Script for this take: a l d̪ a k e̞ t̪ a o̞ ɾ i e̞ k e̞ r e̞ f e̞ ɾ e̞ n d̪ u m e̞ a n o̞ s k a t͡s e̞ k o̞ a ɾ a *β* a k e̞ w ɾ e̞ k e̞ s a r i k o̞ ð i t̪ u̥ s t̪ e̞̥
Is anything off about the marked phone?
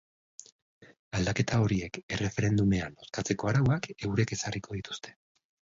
yes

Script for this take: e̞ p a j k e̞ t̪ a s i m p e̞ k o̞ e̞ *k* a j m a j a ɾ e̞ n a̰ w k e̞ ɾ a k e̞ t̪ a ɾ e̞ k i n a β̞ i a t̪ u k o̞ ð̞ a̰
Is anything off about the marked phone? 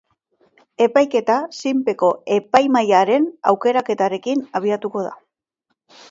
yes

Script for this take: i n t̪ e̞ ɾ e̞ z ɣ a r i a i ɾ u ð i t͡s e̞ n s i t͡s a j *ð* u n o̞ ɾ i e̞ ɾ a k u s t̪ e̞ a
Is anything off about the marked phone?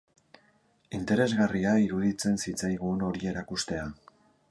yes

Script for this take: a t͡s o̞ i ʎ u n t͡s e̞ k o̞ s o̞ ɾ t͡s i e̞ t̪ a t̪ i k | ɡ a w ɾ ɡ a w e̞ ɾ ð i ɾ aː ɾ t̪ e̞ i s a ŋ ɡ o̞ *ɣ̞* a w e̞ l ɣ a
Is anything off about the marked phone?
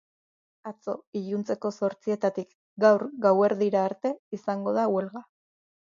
yes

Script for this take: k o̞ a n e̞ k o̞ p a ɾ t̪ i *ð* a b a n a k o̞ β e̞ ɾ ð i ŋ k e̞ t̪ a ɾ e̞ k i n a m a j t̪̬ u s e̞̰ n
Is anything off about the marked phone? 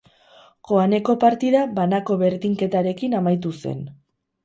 no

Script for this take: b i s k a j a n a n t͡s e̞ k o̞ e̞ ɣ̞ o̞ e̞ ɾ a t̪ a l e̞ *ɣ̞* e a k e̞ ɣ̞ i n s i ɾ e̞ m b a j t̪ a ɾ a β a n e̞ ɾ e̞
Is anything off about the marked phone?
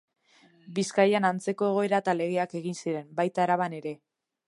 no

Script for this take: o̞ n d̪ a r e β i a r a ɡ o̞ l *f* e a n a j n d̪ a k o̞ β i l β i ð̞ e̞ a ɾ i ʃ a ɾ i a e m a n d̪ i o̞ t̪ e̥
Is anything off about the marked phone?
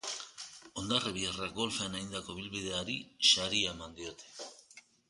no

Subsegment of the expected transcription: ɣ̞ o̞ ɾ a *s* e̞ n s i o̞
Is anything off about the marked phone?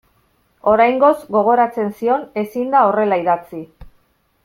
yes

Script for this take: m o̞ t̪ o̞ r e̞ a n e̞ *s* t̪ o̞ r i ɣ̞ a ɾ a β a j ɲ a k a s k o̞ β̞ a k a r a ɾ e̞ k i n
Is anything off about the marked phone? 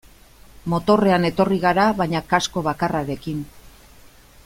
yes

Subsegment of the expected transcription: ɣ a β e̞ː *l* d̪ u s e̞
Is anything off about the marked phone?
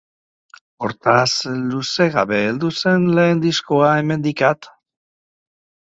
no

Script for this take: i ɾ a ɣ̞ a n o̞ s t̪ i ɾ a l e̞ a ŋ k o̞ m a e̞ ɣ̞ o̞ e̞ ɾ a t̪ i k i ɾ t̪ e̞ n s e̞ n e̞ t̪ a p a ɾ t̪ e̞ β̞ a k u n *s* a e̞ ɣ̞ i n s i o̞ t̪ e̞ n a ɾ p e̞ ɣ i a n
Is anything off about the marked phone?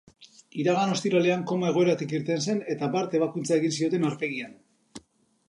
yes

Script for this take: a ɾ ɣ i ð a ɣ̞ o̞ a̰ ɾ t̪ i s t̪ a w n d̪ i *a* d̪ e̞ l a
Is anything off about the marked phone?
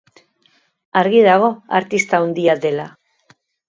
no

